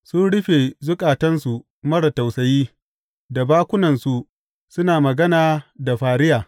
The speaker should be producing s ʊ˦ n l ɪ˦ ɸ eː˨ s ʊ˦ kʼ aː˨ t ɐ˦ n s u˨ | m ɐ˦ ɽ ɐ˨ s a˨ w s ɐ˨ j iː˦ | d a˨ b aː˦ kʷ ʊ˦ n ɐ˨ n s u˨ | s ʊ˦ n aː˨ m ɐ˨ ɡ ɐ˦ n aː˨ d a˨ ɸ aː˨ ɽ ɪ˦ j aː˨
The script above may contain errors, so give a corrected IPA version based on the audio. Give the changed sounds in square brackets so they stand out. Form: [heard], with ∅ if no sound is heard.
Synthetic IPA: s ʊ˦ n [ɽ] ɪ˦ ɸ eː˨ [z] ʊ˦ kʼ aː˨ t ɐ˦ n s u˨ | m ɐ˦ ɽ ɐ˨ [t] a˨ w s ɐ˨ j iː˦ | d a˨ b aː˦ kʷ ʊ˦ n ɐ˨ n s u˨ | s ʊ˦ n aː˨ m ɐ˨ ɡ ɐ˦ n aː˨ d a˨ ɸ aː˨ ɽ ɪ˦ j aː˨